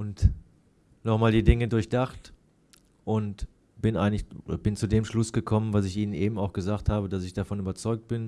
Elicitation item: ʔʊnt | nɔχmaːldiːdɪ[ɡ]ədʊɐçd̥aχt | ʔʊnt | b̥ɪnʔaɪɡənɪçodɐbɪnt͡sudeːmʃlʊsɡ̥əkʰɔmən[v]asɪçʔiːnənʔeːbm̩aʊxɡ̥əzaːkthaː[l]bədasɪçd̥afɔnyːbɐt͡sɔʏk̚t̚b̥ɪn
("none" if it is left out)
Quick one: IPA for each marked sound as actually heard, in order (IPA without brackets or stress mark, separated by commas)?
ŋ, v, none